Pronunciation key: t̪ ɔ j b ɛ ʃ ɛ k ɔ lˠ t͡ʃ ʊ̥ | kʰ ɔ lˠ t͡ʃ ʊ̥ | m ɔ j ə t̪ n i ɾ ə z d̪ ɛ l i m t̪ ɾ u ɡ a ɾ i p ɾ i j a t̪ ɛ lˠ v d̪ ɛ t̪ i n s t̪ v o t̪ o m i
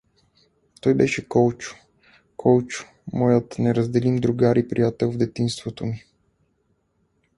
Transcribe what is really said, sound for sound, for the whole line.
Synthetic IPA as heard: t̪ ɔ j b ɛ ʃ ɛ k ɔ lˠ t͡ʃ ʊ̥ | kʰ ɔ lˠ t͡ʃ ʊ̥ | m ɔ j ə t̪ n ɛ ɾ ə z d̪ ɛ l i m d̪ ɾ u ɡ a ɾ i p ɾ i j a t̪ ɛ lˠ v d̪ ɛ t̪ i n s t̪ v o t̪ o m i